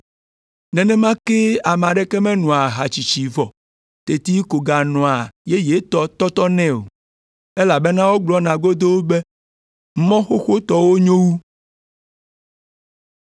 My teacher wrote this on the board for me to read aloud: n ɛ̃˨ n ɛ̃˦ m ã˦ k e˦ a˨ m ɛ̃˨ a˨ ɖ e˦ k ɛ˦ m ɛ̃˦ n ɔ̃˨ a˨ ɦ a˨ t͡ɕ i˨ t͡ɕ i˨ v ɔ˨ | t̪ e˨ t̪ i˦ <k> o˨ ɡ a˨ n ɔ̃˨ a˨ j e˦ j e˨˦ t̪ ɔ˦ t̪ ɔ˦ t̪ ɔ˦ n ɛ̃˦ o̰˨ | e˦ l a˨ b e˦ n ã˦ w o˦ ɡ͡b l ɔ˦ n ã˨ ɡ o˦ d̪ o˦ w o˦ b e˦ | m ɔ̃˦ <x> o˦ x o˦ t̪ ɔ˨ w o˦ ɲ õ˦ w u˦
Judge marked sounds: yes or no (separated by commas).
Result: yes, yes